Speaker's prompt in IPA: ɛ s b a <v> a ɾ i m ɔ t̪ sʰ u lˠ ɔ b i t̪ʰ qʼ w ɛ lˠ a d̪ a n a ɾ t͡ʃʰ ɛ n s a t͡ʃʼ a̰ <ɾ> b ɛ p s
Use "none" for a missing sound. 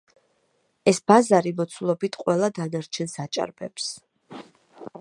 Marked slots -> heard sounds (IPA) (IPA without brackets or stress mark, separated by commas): z, ɾ